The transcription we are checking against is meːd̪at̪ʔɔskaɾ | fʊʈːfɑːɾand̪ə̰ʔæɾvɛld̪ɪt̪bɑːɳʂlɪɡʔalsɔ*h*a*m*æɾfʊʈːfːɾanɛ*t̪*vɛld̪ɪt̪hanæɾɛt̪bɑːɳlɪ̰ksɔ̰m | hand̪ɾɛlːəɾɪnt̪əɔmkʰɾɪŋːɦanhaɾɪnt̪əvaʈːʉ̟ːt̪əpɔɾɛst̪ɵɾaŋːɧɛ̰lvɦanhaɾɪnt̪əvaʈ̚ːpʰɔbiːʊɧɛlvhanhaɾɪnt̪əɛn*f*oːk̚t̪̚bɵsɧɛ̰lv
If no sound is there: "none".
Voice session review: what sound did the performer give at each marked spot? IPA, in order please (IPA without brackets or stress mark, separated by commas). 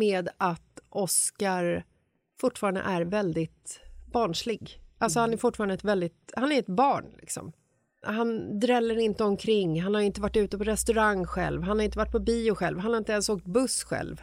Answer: h, n, t̪, s